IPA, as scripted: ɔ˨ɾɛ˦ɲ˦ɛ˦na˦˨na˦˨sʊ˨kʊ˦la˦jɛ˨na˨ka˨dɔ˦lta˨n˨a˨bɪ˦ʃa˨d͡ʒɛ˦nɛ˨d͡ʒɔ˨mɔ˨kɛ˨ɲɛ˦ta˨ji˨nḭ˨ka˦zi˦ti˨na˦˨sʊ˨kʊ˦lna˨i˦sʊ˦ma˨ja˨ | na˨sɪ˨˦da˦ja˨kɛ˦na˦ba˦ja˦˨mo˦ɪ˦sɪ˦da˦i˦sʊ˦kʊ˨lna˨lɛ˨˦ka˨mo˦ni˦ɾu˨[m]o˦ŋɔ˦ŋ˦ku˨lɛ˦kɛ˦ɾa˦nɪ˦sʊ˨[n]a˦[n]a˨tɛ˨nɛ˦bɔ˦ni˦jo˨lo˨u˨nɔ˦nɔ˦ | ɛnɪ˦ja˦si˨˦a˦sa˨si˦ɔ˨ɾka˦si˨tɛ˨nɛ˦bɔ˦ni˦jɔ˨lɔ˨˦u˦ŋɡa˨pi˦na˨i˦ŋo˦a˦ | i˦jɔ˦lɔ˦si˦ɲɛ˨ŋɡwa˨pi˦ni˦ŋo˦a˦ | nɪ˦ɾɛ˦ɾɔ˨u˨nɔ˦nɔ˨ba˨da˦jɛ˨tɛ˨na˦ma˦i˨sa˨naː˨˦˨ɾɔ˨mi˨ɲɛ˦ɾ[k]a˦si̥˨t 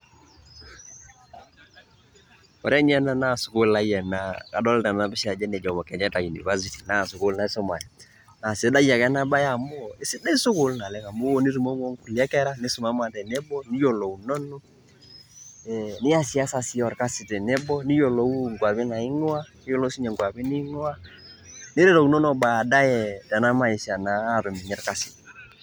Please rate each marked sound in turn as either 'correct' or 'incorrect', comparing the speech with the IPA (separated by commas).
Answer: correct, incorrect, incorrect, correct